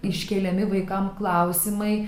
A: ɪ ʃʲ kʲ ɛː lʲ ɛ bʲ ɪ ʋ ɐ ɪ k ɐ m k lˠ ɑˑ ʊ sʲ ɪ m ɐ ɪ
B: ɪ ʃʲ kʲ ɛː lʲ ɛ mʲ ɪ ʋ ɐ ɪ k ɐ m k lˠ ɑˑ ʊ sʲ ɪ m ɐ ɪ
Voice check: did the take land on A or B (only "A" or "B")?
B